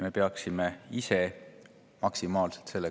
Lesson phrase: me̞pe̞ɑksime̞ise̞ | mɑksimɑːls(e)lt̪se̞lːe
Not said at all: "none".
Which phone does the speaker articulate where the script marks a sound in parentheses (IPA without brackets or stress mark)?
e